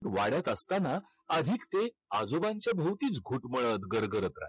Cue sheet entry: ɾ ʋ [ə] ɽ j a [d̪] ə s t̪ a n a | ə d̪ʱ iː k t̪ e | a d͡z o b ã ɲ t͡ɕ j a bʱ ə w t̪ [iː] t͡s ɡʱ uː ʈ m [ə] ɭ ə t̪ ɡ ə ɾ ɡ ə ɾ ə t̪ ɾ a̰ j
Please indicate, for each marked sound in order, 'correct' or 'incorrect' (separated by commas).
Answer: incorrect, incorrect, correct, correct